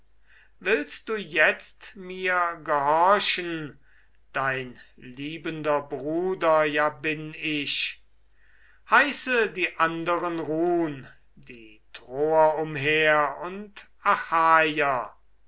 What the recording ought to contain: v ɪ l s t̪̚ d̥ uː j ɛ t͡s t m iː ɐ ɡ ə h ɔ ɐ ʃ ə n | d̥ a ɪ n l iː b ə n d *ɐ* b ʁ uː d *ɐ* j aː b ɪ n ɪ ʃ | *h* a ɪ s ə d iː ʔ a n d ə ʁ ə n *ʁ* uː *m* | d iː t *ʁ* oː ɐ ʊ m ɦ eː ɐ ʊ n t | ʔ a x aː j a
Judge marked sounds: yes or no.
yes, yes, yes, yes, no, yes

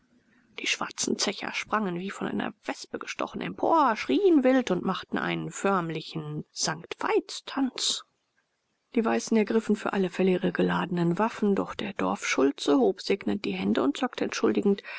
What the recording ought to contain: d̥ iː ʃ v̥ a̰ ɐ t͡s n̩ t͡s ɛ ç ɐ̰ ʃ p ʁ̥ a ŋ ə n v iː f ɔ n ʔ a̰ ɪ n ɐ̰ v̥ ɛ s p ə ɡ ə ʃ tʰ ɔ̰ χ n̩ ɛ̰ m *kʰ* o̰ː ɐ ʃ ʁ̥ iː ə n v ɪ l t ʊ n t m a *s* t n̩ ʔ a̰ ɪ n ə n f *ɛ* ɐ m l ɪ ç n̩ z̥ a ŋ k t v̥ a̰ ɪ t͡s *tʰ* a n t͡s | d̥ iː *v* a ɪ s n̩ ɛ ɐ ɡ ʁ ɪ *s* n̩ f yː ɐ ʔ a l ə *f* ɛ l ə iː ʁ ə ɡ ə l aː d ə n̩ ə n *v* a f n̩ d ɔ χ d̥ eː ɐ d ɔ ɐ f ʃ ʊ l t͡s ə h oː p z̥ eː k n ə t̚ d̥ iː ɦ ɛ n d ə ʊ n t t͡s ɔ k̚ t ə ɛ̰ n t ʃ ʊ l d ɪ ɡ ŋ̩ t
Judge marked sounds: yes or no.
no, no, no, yes, yes, no, yes, yes

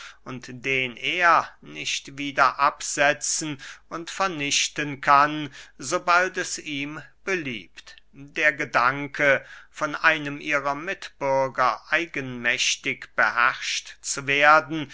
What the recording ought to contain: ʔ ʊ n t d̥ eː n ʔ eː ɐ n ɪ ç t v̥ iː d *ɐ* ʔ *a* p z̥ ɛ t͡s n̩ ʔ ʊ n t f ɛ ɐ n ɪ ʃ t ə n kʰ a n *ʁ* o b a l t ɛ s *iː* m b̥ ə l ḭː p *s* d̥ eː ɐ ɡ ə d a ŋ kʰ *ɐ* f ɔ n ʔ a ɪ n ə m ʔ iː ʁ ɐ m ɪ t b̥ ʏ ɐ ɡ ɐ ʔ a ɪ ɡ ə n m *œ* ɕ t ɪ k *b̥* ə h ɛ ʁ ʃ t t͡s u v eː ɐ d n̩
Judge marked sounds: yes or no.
yes, yes, no, yes, no, no, no, yes

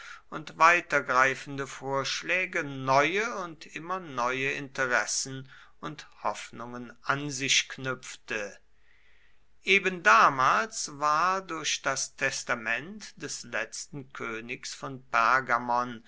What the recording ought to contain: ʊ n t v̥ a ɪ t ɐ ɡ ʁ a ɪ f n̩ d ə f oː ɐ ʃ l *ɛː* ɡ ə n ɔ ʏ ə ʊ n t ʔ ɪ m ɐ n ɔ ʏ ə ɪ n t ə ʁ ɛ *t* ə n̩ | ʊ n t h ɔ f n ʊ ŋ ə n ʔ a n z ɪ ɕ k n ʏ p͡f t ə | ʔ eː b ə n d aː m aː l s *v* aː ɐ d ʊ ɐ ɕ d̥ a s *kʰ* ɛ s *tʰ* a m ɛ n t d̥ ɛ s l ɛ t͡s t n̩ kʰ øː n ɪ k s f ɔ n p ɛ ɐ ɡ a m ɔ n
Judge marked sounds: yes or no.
yes, no, yes, no, no

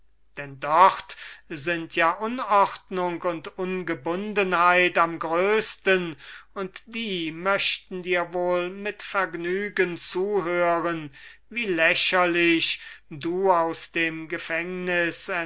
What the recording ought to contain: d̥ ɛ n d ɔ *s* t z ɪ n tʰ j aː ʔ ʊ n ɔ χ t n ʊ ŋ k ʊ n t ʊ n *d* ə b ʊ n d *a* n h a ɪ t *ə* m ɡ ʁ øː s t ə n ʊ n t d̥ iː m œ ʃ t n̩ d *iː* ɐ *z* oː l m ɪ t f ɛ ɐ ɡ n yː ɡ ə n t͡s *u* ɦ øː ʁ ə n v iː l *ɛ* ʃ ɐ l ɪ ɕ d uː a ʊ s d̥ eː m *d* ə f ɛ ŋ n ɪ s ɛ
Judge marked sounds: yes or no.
no, no, no, no, yes, no, no, yes, no

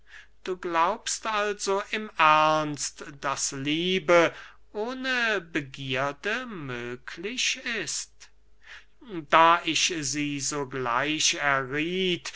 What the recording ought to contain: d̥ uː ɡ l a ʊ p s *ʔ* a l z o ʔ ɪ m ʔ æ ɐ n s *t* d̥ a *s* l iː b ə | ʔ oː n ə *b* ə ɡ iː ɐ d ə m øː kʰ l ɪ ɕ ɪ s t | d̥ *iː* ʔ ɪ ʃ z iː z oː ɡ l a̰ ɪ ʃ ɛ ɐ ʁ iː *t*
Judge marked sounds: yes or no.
no, yes, yes, yes, no, yes

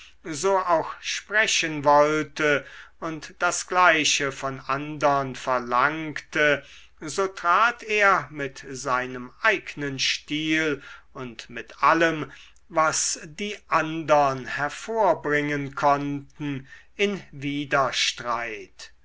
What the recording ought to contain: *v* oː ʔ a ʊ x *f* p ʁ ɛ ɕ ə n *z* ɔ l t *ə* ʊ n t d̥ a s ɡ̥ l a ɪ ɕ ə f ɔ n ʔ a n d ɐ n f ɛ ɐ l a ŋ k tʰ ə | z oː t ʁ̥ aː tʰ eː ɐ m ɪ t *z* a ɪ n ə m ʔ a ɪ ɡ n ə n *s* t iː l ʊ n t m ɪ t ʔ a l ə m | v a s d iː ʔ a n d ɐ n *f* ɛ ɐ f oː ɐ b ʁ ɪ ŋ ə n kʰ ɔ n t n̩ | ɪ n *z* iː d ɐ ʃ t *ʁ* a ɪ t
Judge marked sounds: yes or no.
no, no, no, yes, yes, no, no, no, yes

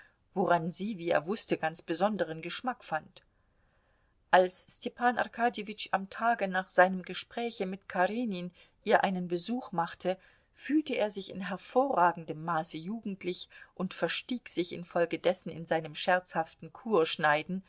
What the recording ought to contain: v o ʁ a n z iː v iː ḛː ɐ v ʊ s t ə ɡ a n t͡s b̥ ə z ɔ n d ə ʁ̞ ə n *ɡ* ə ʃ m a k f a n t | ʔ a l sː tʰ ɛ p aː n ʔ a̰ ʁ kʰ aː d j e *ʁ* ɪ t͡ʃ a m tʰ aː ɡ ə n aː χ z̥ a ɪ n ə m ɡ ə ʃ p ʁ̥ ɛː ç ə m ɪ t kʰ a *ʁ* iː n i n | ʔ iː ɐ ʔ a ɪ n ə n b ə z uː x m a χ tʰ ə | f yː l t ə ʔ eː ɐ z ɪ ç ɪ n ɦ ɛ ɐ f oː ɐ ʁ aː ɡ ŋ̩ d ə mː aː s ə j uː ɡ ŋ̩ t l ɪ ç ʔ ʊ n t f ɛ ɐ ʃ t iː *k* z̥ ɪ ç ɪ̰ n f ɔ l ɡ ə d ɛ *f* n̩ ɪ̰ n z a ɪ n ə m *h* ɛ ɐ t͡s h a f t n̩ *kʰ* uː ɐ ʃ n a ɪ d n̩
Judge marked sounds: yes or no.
yes, no, yes, yes, no, no, yes

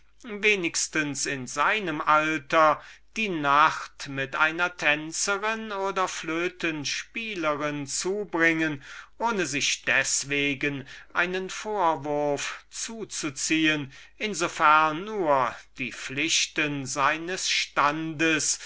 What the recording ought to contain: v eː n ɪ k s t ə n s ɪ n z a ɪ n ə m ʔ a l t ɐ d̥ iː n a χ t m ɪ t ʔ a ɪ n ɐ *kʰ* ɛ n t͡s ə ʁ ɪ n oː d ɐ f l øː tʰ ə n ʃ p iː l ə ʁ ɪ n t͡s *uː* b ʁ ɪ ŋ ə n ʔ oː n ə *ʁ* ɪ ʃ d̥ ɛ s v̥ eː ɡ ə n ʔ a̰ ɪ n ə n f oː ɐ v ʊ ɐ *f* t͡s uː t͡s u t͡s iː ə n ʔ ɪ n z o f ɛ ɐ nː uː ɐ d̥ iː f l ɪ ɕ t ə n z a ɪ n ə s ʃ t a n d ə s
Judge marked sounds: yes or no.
no, yes, no, yes

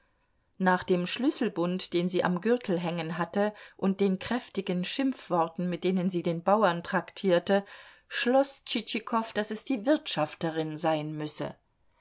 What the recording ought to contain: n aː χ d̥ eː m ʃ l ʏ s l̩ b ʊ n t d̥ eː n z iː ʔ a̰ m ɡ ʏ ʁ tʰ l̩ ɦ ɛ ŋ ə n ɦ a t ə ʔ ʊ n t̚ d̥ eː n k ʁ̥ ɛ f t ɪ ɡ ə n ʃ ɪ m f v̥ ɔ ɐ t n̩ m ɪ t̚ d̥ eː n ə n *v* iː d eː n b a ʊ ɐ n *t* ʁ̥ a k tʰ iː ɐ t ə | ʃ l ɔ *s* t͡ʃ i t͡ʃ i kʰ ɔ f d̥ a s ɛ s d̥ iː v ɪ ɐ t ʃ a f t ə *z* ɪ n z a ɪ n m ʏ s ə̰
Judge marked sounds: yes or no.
no, yes, yes, no

